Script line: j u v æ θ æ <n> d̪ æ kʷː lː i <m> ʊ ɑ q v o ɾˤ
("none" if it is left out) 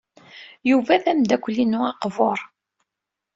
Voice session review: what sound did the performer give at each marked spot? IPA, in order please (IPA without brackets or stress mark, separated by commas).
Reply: m, n